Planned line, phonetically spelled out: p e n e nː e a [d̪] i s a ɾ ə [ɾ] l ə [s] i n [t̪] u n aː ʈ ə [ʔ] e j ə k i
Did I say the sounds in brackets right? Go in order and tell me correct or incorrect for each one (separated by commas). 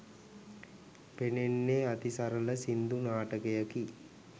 incorrect, incorrect, correct, incorrect, incorrect